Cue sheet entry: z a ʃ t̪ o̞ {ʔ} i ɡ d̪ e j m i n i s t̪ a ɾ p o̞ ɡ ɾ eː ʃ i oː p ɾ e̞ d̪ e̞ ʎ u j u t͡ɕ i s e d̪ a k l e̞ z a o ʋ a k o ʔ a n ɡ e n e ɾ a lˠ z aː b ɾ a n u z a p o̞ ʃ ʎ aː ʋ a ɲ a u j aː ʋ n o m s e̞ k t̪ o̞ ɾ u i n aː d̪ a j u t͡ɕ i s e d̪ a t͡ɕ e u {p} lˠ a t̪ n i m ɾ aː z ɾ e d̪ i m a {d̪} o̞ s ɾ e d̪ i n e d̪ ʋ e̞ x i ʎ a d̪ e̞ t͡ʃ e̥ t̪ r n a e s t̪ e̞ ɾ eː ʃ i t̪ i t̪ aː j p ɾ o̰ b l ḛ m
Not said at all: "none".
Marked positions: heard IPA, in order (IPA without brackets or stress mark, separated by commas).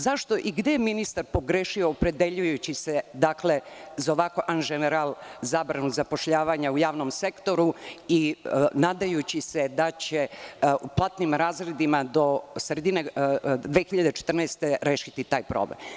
ʔ, p, d̪